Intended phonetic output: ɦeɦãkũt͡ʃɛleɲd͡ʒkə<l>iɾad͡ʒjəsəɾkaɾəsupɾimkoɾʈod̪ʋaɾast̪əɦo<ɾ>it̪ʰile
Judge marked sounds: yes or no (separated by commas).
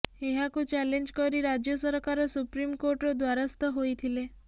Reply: no, no